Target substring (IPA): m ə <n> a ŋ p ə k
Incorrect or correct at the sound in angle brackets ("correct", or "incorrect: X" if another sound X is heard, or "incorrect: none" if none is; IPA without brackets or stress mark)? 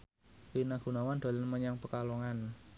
incorrect: ɲ